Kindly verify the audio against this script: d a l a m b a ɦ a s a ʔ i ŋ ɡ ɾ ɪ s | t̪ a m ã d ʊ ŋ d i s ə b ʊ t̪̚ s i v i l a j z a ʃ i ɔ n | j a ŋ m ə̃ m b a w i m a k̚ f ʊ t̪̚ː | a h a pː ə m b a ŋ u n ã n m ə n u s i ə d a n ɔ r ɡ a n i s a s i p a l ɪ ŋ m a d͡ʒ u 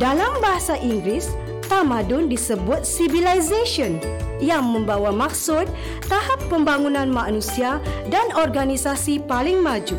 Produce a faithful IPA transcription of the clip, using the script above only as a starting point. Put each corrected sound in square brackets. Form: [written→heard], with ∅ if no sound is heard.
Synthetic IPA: d a l a m b a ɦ a s a ʔ i ŋ ɡ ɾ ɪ s | t̪ a m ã d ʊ [ŋ→n] d i s ə b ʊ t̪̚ s i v i l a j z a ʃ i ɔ n | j a ŋ m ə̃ m b a w [i→a] m a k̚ [f→s] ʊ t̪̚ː | a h a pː ə m b a ŋ u n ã n m [ə→a] n u s i [ə→a] d a n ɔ r ɡ a n i s a s i p a l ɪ ŋ m a d͡ʒ u